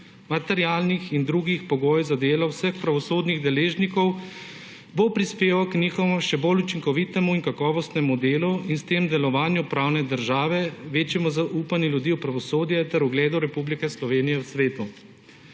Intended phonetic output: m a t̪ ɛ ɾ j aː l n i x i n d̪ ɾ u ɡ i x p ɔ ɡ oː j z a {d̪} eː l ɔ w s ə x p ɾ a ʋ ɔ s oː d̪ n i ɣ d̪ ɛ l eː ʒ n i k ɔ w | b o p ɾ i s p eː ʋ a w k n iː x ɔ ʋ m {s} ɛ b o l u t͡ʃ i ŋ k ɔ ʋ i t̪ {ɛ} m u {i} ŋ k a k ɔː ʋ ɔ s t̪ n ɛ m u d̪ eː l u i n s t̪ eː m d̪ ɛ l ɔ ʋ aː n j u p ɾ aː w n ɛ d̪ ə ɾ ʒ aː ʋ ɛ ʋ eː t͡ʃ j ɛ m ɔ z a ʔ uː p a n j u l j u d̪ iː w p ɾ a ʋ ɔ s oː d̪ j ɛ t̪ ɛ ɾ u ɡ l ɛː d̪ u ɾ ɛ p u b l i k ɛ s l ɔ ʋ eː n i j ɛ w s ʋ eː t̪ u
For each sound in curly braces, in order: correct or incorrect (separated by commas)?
correct, incorrect, correct, correct